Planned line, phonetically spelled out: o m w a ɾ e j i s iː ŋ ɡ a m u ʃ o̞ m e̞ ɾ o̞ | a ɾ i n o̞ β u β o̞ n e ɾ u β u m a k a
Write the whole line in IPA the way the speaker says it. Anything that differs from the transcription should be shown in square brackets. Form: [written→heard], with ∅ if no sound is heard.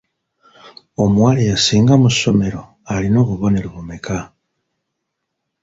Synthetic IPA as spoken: o m w a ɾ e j [i→a] s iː ŋ ɡ a m u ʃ o̞ m e̞ ɾ o̞ | a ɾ i n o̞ β u β o̞ n e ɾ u β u m [a→e] k a